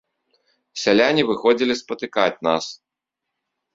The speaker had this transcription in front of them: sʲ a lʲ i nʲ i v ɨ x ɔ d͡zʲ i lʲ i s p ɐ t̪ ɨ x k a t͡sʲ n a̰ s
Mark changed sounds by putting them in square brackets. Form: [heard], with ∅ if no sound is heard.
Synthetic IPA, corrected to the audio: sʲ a lʲ [a] nʲ i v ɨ x ɔ d͡zʲ i lʲ i s p ɐ t̪ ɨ [∅] k a t͡sʲ n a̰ s